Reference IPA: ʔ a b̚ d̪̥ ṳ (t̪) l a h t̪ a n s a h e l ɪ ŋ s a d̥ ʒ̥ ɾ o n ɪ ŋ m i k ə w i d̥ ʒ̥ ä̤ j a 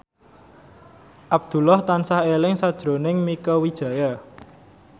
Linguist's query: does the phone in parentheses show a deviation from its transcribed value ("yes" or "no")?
yes